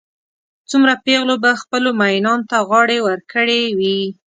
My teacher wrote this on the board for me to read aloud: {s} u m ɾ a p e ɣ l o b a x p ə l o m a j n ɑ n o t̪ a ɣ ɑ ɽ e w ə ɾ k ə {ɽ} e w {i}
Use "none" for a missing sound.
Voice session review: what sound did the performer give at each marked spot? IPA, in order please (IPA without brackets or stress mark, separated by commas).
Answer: t͡s, ɽ, i